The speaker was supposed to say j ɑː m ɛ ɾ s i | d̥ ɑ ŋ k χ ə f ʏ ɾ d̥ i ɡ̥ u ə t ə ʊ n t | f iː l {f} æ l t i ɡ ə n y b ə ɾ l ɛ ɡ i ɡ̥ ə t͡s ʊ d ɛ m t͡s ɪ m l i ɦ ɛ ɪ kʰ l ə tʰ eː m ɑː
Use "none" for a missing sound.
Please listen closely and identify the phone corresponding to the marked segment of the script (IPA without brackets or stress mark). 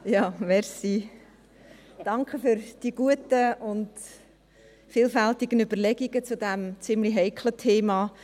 f